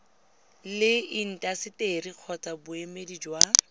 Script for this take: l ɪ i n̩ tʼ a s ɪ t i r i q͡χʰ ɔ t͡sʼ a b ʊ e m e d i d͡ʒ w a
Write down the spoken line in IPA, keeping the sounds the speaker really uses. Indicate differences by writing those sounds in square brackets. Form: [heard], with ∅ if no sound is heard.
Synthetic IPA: l ɪ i n̩ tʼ a s ɪ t [e] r i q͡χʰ ɔ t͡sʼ a b ʊ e m e d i d͡ʒ w a